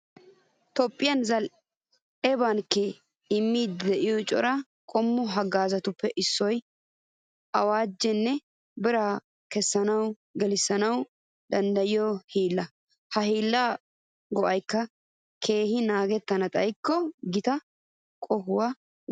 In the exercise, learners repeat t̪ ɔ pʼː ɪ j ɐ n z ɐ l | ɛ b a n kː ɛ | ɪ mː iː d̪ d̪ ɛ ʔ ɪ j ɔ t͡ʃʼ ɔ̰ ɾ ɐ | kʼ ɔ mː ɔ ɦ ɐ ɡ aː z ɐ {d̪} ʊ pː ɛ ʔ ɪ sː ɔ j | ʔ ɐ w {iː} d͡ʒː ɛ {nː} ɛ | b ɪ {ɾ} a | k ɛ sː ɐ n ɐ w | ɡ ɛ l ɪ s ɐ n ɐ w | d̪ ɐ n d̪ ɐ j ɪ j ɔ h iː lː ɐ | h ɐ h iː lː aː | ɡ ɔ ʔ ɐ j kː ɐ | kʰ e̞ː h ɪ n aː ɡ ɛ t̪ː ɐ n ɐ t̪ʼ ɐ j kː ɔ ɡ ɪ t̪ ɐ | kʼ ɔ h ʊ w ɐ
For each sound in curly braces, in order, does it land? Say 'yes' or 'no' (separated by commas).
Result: no, no, yes, yes